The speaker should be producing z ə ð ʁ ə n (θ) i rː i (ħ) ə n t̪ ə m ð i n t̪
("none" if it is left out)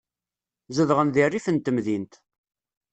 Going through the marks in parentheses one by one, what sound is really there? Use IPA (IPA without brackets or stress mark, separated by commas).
ð, f